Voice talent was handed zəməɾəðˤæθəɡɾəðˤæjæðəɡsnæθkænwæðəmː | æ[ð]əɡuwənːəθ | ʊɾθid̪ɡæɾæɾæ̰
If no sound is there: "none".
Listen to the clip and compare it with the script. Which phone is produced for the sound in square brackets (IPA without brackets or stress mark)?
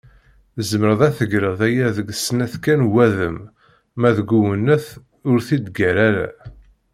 ð